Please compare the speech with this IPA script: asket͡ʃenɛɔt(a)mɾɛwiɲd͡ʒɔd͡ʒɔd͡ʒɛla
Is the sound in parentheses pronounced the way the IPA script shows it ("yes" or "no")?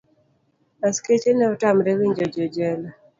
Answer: yes